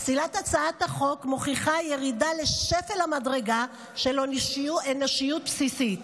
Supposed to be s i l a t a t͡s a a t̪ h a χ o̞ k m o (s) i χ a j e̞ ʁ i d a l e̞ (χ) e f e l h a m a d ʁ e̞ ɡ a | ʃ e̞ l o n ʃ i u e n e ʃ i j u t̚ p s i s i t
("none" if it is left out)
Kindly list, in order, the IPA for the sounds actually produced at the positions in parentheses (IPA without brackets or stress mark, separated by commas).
χ, ʃ